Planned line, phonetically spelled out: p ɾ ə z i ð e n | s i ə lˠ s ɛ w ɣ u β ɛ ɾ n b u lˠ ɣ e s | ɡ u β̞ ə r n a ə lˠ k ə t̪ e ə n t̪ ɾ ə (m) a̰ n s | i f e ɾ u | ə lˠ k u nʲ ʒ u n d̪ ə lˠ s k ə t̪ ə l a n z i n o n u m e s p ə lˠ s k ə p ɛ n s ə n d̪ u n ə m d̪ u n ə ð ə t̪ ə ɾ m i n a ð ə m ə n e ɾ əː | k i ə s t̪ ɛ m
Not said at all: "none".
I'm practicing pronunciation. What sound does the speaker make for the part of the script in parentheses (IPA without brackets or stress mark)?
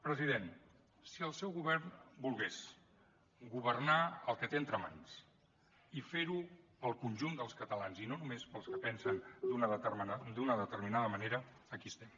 m